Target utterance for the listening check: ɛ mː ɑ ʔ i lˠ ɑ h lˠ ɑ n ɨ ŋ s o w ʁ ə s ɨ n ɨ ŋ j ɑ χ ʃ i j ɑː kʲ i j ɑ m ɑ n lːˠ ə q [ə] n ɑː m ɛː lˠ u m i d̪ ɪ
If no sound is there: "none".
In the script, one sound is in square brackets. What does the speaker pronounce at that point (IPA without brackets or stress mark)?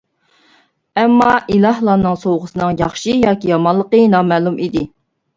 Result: ə